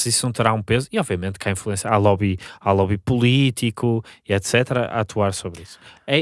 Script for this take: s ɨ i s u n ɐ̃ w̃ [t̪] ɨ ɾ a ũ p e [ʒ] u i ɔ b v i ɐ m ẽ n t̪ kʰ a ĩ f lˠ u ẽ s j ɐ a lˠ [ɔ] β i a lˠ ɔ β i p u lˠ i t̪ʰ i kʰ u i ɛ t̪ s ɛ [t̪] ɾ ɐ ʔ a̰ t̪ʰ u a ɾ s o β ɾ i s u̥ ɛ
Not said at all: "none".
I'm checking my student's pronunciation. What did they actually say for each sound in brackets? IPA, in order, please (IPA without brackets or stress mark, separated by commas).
t̪, z, ɔ, t̪